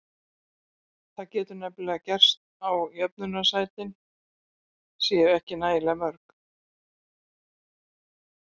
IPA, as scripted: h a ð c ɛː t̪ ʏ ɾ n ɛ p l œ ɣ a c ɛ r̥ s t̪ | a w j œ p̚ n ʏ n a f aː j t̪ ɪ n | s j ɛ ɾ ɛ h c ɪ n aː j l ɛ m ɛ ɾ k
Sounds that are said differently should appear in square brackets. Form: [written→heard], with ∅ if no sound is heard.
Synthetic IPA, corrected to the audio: [h→θ] a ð c ɛː t̪ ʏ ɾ n ɛ p l [œ→ɛ] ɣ a c ɛ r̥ s t̪ | a w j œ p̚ n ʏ n a [f→s] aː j t̪ ɪ n | s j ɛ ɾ ɛ h c ɪ n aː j l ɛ m [ɛ→œ] ɾ k